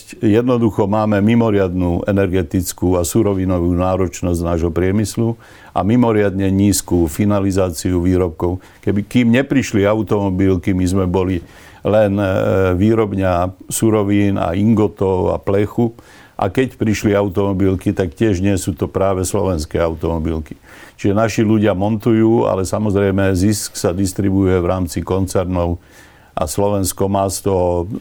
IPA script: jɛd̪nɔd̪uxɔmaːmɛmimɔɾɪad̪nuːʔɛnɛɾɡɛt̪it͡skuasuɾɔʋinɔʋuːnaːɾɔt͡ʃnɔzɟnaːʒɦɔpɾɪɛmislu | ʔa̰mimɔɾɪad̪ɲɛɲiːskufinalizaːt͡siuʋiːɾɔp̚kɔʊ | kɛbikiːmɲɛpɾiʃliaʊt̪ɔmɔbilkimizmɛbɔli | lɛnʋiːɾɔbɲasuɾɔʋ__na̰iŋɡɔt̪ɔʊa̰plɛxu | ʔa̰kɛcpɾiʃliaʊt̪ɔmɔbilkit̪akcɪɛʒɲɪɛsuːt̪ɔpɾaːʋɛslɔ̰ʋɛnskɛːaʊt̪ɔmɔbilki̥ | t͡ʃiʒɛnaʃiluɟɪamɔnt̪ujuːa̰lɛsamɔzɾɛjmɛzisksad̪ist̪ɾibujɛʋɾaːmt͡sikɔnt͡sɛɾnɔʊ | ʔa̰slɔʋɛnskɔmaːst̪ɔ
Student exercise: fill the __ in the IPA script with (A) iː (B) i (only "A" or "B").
A